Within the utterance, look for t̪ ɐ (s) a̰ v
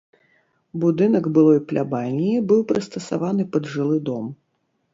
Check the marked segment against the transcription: correct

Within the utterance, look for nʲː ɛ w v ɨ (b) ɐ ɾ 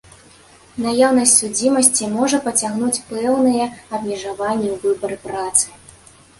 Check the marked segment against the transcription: correct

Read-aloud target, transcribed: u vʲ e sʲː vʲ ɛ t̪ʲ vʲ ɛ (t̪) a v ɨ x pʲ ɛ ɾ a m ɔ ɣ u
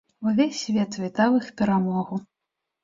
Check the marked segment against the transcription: correct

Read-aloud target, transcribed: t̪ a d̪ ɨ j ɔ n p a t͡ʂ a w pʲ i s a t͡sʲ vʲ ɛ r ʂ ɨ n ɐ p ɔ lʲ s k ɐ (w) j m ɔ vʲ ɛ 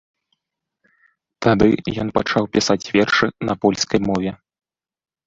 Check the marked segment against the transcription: incorrect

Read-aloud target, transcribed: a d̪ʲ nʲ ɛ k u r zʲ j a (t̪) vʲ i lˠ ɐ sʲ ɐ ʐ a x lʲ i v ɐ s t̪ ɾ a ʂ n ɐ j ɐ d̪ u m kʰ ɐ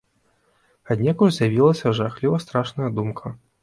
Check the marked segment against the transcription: incorrect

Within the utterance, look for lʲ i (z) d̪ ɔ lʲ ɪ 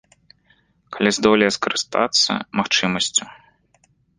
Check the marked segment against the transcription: correct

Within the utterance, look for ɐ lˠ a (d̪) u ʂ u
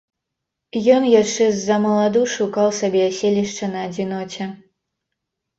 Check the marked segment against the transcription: correct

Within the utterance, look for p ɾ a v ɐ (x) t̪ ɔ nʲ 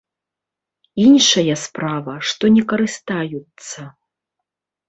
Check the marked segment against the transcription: incorrect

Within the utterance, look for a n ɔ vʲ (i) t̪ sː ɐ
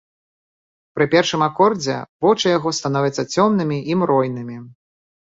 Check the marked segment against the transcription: incorrect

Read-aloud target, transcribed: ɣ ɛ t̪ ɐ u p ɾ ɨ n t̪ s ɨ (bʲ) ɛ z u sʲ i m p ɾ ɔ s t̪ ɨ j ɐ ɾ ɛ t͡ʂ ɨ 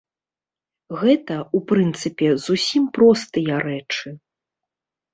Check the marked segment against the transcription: incorrect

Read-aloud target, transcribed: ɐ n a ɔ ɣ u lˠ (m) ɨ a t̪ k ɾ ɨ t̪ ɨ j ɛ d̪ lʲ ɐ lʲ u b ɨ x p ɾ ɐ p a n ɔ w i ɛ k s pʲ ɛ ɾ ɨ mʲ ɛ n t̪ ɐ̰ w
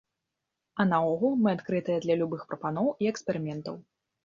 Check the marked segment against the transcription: correct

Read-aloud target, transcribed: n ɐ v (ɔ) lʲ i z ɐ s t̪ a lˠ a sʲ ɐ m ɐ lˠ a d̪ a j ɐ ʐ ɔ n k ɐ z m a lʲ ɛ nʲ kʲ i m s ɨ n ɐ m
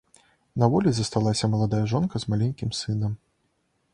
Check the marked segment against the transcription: correct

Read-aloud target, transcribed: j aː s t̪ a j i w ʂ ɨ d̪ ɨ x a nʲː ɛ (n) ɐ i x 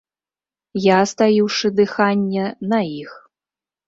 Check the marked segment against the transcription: correct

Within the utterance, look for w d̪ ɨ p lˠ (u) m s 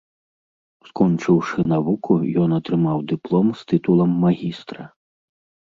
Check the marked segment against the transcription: incorrect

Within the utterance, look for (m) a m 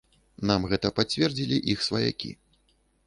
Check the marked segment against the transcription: incorrect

